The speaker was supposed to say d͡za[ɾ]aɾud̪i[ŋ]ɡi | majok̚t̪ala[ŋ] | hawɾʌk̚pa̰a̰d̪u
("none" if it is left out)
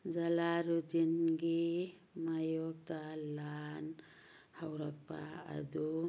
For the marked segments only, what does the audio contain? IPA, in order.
l, n, n

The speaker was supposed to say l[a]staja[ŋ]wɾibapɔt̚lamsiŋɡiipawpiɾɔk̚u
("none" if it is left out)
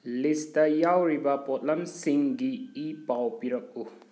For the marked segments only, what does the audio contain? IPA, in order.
i, none

